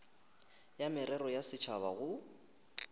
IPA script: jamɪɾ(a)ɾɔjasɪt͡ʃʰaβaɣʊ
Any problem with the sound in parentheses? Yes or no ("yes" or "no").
yes